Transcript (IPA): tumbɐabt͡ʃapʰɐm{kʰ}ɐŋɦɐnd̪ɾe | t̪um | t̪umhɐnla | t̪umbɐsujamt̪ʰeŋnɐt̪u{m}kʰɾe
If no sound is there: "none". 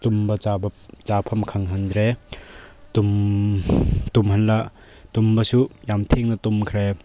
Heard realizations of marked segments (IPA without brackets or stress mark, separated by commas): kʰ, m